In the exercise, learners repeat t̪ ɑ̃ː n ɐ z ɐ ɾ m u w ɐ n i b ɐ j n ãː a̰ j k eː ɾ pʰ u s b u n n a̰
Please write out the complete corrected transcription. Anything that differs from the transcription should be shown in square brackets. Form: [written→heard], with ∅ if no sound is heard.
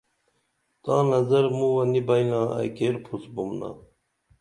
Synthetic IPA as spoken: t̪ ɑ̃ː n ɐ z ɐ ɾ m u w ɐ n i b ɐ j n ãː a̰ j k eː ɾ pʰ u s b u [n→m] n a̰